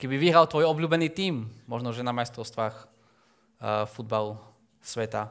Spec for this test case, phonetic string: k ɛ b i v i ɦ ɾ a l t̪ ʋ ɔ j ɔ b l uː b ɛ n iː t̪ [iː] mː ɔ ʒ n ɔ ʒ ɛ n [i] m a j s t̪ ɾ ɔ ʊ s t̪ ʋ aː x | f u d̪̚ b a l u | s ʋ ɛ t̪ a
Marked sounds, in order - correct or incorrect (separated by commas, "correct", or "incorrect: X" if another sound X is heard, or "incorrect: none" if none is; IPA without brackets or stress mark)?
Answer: correct, incorrect: a